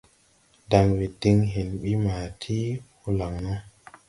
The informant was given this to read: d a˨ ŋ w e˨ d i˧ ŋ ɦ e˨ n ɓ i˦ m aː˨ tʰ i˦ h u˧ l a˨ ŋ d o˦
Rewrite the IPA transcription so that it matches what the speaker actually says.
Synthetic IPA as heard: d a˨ ŋ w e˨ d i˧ ŋ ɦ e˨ n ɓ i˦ m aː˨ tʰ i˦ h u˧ l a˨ ŋ n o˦